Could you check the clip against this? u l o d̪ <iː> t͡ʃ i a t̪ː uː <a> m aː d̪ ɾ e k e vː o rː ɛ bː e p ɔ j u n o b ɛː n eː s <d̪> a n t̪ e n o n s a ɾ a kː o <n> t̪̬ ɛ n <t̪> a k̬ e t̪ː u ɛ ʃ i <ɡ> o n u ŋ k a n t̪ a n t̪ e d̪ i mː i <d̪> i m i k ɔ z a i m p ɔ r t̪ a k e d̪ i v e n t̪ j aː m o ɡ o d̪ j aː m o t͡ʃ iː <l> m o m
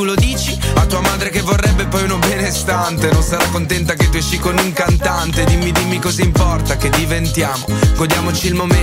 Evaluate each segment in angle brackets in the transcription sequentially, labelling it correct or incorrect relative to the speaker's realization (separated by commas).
correct, correct, incorrect, correct, correct, incorrect, correct, correct